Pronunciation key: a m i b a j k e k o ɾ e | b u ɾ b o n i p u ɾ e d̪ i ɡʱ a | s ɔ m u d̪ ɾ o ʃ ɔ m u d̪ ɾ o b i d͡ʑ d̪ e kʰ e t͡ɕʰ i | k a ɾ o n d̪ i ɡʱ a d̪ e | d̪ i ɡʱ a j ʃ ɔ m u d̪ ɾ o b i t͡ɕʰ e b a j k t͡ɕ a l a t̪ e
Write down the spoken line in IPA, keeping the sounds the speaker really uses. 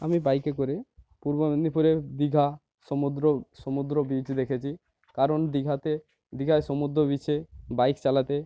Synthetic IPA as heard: a m i b a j k e k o ɾ e | p u ɾ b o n i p u ɾ e d̪ i ɡʱ a | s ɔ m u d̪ ɾ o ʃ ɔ m u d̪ ɾ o b i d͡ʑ d̪ e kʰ e t͡ɕʰ i | k a ɾ o n d̪ i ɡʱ a t̪ e | d̪ i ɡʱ a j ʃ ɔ m u d̪ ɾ o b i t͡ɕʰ e b a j k t͡ɕ a l a t̪ e